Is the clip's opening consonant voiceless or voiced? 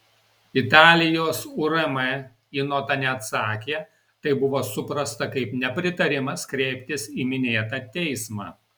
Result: voiceless